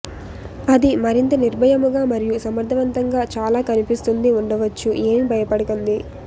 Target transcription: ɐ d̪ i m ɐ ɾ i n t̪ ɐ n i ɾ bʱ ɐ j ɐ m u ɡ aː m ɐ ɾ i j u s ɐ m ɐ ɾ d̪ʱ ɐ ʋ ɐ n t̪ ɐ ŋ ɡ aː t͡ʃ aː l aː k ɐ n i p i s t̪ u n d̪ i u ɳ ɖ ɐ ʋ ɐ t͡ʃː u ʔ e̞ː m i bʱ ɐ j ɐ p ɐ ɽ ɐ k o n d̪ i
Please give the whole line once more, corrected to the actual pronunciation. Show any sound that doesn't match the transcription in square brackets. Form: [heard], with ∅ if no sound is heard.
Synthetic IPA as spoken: ɐ d̪ i m ɐ ɾ i n t̪ ɐ n i ɾ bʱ ɐ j ɐ m u ɡ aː m ɐ ɾ i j u s ɐ m ɐ ɾ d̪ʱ ɐ ʋ ɐ n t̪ ɐ ŋ ɡ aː t͡ʃ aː l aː k ɐ n i p i s t̪ u n d̪ i u ɳ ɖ ɐ ʋ ɐ t͡ʃː u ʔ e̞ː m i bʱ ɐ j ɐ p ɐ ɽ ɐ k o n d̪ i